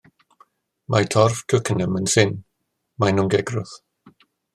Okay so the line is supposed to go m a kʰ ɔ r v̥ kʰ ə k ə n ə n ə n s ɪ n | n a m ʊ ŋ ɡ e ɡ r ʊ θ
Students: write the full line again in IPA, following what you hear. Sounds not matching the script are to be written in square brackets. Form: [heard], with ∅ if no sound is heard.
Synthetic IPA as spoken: m a [tʰ] ɔ r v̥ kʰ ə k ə n ə [m] ə n s ɪ n | [m] a [n] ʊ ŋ ɡ [ɛ] ɡ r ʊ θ